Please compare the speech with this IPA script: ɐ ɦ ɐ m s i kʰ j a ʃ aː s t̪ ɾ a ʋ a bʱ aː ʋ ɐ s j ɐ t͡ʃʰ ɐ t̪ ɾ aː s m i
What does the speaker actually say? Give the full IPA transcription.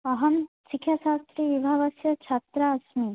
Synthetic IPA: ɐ ɦ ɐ m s i kʰ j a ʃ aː s t̪ ɾ i ʋ i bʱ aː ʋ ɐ s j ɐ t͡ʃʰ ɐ t̪ ɾ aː s m i